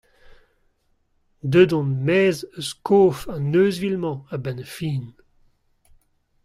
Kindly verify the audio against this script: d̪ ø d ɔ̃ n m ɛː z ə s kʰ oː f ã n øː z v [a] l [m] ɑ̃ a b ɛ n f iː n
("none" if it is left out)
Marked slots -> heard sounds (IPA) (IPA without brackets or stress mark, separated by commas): i, m